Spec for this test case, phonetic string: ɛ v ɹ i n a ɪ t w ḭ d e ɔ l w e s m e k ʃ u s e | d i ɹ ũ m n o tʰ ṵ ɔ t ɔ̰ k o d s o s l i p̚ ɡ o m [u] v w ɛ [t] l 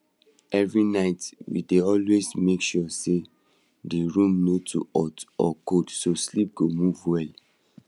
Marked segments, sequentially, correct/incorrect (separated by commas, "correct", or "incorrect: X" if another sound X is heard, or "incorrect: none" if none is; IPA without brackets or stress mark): correct, incorrect: none